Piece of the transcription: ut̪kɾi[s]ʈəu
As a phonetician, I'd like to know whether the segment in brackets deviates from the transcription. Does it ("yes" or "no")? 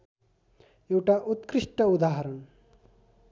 yes